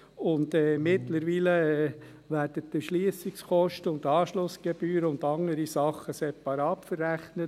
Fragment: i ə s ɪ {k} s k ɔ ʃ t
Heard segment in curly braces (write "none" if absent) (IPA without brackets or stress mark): k